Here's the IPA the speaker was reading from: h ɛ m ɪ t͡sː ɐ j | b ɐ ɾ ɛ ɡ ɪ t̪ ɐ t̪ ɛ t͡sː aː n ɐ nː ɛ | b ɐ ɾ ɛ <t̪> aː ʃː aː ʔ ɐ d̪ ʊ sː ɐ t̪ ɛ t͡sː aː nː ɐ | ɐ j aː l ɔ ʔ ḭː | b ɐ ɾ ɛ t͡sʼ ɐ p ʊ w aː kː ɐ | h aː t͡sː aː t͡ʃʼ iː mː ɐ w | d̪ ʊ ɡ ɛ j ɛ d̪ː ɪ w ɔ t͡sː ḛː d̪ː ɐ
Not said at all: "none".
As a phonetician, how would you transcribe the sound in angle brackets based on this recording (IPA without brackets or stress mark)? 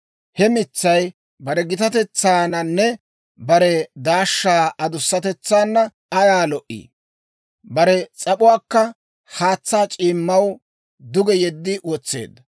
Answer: d̪